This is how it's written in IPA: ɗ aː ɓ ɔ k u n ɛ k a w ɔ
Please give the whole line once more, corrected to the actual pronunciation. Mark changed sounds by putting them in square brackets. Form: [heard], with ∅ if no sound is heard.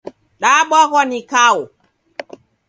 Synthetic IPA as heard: ɗ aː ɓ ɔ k [ɔ] n [i] k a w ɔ